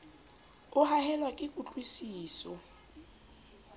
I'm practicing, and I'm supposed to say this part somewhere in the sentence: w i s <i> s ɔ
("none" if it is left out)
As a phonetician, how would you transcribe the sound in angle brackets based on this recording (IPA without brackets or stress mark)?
iː